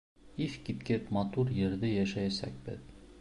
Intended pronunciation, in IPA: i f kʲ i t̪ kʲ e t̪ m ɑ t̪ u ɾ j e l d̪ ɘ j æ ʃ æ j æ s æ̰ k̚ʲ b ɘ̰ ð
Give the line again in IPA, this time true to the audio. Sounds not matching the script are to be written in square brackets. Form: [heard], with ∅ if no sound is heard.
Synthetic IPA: i f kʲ i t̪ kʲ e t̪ m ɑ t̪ u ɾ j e [ɾ] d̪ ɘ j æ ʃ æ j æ s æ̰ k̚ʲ b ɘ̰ ð